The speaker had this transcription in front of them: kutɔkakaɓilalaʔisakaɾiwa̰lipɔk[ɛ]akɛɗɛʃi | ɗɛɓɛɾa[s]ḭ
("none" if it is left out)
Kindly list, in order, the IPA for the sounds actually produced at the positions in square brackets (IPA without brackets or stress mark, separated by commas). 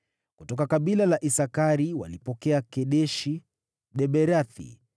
ɛ, θ